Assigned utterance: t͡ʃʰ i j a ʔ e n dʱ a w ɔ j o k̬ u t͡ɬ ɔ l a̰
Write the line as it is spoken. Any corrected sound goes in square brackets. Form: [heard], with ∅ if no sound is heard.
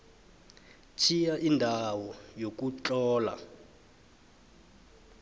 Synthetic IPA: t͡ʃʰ i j a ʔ [i] n dʱ a w ɔ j o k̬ u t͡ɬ [ɔː] l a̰